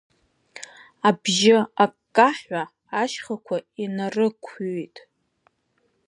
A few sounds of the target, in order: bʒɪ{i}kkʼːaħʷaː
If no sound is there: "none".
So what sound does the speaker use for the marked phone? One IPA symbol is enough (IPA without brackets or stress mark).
a